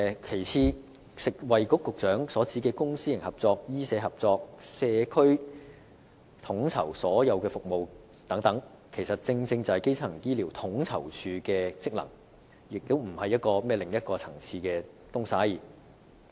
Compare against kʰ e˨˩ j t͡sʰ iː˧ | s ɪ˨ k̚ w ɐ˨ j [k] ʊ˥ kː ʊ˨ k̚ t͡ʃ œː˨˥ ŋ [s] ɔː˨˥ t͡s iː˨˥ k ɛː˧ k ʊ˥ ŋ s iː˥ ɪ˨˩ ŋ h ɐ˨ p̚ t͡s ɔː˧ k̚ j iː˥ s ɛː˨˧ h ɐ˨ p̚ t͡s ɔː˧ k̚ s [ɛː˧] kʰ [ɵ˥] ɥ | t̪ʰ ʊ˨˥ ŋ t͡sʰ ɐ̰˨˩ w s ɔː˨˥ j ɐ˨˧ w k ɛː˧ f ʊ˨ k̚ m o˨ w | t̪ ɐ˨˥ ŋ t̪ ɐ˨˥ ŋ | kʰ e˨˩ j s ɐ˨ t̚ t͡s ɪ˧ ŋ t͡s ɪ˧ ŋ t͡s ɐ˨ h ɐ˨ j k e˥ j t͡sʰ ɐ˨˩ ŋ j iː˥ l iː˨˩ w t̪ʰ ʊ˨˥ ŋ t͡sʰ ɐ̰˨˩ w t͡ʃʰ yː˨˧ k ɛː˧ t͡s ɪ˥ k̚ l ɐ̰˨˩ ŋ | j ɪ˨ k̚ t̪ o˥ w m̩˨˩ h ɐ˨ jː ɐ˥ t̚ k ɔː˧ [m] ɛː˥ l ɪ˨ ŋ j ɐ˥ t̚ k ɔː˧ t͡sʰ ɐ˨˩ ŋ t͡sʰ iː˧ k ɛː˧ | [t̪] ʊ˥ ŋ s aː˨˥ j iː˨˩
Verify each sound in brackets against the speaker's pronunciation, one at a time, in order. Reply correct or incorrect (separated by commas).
correct, correct, correct, correct, correct, correct